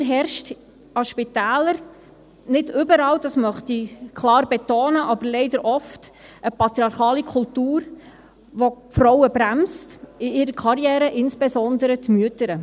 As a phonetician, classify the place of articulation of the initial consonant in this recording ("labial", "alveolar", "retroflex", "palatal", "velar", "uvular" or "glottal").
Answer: glottal